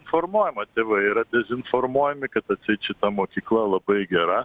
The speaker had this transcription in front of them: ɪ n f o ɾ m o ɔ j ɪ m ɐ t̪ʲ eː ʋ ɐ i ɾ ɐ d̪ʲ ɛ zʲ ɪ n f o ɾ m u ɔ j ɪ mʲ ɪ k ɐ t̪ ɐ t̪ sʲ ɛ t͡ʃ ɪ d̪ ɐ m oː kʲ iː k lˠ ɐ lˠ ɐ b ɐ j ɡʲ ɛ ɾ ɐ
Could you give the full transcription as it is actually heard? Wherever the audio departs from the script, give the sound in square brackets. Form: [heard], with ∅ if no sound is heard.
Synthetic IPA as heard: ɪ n f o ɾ m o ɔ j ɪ m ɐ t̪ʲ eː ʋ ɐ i ɾ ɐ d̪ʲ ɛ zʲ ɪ n f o ɾ m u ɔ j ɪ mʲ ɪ k ɐ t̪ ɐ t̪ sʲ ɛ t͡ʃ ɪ [t̪] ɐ m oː kʲ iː k lˠ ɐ lˠ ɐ b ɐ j ɡʲ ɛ ɾ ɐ